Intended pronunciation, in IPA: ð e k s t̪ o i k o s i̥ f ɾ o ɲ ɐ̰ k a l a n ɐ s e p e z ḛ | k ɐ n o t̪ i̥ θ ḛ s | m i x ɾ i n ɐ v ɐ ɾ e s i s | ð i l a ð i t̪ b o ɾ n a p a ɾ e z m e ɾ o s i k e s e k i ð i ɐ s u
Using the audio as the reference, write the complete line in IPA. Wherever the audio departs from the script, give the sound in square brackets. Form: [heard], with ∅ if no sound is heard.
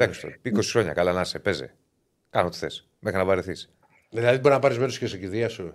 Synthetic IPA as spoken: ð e k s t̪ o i k o s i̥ [x] ɾ o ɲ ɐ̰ k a l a n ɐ s e p e z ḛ | k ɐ n o t̪ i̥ θ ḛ s | m [e] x ɾ i n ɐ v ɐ ɾ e [θ] i s | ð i l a ð i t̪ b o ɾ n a p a ɾ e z m e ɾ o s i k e s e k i ð i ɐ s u